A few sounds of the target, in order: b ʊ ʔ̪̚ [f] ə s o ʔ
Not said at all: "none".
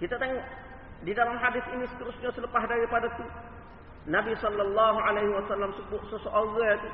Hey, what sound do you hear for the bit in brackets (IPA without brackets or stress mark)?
s